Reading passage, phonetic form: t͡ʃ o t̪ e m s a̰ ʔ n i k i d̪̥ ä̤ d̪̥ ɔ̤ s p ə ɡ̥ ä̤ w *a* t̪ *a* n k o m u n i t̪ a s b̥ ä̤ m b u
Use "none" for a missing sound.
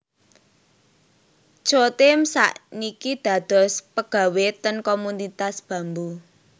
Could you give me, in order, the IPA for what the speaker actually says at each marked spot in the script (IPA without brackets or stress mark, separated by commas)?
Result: e, ə